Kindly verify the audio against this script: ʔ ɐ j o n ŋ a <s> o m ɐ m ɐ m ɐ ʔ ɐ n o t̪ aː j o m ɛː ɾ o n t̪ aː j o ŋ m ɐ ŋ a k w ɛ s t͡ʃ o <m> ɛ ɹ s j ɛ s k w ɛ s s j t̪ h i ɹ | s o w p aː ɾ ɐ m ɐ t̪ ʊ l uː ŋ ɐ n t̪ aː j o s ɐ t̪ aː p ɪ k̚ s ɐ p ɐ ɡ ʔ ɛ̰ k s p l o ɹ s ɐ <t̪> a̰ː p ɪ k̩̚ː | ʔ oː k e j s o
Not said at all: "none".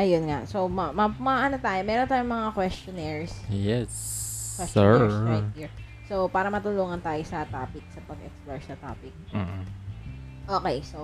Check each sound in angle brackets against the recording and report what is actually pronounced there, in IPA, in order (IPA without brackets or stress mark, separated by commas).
s, n, t̪